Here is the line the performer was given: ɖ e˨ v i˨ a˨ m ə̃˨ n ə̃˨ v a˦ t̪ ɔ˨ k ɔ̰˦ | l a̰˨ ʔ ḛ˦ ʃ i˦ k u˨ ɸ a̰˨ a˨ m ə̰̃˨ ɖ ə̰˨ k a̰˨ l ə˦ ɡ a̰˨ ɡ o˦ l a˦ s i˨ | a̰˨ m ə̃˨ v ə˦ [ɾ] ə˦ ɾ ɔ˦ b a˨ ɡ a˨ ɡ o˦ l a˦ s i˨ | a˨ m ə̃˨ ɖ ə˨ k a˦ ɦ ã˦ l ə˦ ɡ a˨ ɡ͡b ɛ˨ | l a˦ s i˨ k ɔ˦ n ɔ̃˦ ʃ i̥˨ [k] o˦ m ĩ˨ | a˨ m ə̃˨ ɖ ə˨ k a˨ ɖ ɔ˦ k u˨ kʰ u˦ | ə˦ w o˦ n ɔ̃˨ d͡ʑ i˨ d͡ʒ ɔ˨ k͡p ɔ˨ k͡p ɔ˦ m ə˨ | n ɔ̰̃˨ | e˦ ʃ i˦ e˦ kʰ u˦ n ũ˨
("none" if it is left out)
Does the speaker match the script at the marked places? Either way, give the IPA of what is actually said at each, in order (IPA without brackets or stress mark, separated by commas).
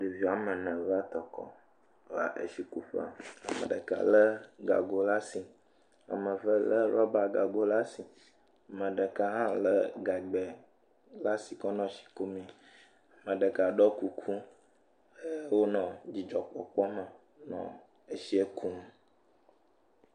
l, k